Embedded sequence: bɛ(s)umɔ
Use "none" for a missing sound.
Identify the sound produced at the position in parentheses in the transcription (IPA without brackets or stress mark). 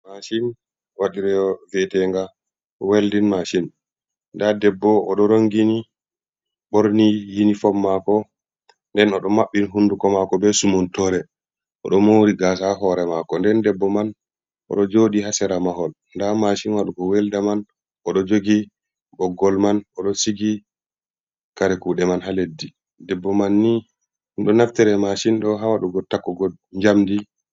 s